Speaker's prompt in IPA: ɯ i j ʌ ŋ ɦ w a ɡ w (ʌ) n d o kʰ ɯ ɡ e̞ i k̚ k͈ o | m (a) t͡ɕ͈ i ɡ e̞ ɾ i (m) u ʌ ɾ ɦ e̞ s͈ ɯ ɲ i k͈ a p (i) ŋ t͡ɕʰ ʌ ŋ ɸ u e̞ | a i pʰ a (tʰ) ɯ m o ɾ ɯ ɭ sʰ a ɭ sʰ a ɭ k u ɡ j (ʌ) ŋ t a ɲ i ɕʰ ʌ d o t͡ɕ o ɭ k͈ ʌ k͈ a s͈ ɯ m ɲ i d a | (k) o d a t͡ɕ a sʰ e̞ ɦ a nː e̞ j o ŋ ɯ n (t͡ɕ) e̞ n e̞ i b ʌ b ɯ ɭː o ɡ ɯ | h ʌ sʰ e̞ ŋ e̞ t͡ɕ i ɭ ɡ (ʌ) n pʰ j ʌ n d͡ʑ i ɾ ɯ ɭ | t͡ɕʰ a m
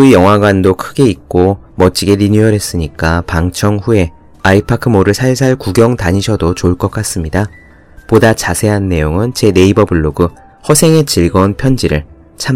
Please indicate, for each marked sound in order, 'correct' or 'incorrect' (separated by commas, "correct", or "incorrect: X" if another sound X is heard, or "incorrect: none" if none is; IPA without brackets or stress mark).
incorrect: a, incorrect: ʌ, incorrect: ɲ, incorrect: a, incorrect: kʰ, correct, incorrect: p, correct, correct